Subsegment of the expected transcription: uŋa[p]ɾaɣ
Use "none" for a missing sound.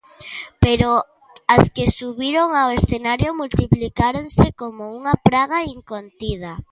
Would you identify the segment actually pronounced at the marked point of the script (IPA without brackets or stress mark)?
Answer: p